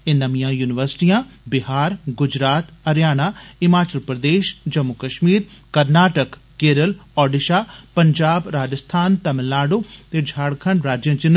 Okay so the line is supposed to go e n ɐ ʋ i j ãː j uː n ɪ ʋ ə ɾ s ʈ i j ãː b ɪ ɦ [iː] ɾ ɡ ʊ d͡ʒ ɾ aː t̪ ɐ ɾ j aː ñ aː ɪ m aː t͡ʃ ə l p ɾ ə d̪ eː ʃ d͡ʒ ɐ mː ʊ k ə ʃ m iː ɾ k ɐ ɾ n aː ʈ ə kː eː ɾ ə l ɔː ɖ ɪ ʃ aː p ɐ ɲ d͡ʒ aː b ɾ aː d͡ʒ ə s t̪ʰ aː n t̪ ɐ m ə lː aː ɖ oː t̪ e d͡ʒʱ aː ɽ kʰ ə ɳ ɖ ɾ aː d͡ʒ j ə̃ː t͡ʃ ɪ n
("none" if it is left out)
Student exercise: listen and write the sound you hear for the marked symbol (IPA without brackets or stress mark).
aː